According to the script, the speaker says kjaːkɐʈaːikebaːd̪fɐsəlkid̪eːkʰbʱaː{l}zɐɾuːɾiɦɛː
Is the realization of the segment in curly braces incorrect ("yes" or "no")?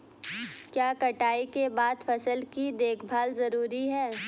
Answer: no